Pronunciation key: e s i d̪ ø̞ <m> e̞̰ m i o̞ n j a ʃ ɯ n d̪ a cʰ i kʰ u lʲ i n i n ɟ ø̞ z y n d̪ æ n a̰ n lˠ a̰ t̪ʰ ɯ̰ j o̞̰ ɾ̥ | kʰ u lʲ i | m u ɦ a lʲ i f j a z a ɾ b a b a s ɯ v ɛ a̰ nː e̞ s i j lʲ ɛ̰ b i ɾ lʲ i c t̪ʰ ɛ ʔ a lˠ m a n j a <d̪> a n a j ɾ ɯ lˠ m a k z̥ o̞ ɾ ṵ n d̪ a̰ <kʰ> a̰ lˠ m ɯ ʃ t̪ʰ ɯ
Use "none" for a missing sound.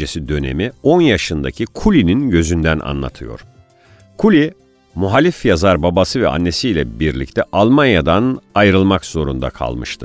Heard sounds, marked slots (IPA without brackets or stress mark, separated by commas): n, d̪, kʰ